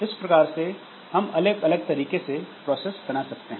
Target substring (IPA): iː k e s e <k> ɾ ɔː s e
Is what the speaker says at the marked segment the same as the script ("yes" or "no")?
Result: no